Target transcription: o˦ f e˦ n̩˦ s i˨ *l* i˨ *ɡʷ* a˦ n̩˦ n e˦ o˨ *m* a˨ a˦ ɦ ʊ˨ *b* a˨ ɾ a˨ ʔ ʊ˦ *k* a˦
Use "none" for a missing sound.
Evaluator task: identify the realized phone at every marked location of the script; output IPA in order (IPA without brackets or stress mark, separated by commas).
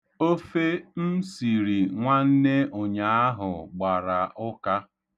ɾ, ŋʷ, ɲ, ɡ͡b, k